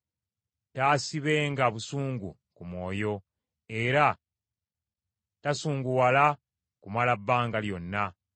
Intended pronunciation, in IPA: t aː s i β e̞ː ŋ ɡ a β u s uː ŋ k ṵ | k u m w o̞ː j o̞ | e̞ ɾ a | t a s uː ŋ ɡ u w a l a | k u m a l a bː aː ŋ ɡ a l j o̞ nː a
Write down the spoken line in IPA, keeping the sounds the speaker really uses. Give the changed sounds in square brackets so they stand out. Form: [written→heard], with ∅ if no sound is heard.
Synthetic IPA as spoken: t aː s i β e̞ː ŋ ɡ a β u s uː ŋ [k→ɡ] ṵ | k u m w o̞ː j o̞ | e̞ ɾ a | t a s uː ŋ ɡ u w a l a | k u m a l a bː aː ŋ ɡ a l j o̞ nː a